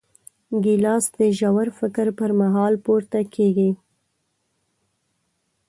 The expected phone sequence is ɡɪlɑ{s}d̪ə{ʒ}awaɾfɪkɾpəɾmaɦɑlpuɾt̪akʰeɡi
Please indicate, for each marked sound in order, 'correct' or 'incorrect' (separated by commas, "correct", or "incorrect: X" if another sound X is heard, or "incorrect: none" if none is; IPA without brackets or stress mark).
correct, correct